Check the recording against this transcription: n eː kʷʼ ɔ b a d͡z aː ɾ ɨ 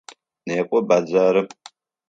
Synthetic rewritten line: n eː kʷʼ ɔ b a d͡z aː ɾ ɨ